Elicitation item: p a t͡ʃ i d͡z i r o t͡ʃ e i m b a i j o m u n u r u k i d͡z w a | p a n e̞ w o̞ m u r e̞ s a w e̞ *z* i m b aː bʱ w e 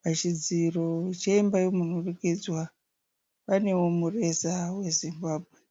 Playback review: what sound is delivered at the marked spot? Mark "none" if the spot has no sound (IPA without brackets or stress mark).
z